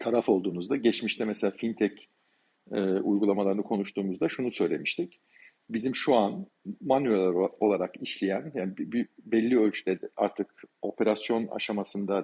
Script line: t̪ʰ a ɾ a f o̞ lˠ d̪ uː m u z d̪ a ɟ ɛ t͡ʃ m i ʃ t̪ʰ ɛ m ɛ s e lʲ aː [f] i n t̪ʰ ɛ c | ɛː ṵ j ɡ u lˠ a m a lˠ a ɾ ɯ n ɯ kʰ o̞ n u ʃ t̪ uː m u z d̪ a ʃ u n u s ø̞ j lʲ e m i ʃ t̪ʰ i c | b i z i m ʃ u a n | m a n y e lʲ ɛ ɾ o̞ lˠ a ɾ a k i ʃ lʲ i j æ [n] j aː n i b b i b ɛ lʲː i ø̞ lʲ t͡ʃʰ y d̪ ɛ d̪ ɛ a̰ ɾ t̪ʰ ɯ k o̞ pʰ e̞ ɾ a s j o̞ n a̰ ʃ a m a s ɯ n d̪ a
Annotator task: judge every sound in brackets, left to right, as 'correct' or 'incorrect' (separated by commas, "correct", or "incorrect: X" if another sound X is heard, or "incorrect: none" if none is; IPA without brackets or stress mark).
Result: correct, correct